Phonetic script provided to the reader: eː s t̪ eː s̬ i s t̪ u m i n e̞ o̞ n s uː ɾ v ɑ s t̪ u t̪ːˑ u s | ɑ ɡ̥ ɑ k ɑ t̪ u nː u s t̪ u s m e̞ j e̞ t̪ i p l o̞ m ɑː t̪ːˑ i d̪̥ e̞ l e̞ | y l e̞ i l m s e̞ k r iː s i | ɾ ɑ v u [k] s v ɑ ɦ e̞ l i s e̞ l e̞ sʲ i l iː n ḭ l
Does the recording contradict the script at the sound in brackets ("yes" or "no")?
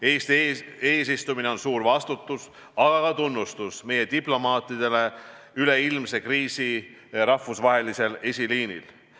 yes